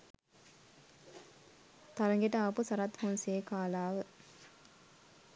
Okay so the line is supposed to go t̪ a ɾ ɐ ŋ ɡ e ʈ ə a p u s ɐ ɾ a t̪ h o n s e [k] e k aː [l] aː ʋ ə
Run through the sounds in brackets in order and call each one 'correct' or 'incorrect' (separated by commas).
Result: incorrect, correct